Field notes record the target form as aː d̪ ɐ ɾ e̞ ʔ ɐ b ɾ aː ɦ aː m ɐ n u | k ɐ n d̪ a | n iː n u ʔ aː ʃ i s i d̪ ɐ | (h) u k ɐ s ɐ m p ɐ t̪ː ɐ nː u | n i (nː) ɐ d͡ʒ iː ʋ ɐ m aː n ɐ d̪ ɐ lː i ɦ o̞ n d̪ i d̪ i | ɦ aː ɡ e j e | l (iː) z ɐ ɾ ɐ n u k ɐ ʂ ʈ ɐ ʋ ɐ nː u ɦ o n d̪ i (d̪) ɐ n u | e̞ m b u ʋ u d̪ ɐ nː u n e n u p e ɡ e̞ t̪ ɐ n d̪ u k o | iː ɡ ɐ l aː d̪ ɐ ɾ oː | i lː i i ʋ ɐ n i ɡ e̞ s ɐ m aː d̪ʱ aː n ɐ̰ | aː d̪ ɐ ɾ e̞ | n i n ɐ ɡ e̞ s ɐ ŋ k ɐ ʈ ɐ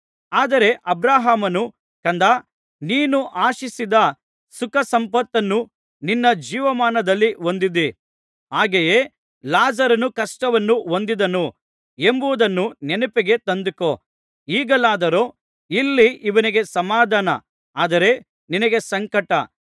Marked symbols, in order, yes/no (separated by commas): no, yes, no, yes